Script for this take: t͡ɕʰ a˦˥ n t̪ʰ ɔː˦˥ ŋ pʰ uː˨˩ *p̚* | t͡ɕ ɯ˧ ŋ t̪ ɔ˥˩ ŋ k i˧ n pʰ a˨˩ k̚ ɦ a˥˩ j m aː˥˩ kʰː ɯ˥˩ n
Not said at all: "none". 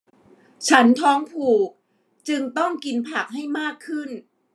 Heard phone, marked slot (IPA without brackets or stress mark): k̚